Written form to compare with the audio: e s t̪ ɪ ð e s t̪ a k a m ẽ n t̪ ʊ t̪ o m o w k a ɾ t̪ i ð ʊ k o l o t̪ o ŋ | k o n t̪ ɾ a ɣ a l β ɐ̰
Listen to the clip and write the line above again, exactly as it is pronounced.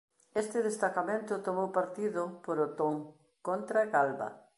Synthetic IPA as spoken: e s t̪ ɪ ð e s t̪ a k a m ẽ n t̪ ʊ t̪ o m o w p a ɾ t̪ i ð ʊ p o ɾ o t̪ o ŋ | k o n t̪ ɾ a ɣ a l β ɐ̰